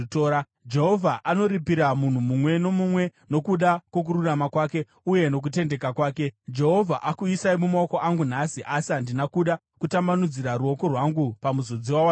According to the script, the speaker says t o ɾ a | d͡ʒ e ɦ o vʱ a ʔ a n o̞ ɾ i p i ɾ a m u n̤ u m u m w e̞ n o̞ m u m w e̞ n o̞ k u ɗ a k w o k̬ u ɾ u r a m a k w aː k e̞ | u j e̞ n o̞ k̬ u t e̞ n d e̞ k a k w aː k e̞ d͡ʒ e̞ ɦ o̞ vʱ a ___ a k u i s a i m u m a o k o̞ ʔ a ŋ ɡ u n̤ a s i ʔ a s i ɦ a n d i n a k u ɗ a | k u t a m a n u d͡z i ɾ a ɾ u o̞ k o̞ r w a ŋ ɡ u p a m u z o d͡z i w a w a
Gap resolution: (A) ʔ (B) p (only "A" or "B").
A